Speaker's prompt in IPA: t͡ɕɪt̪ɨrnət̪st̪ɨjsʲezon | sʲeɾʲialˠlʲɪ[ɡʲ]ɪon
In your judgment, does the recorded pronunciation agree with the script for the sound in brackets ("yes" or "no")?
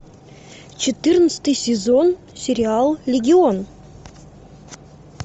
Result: yes